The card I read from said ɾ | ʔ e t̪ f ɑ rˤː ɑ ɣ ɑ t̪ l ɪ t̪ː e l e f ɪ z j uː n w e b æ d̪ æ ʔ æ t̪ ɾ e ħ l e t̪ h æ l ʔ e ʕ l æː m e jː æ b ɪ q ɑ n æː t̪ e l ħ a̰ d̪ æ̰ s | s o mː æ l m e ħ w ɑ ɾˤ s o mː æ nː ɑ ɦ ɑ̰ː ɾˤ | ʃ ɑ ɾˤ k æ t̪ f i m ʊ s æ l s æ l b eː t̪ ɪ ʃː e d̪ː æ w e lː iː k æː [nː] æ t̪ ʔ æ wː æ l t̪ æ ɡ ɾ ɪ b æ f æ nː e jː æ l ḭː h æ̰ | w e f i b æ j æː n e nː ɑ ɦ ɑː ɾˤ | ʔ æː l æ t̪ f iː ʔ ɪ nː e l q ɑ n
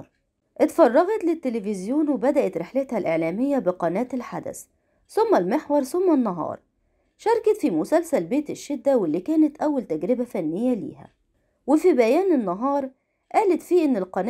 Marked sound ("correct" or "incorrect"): incorrect